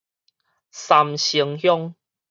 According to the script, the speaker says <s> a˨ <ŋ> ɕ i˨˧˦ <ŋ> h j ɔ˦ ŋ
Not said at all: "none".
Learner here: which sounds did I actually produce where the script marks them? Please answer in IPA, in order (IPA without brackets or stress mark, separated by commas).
s, m, ŋ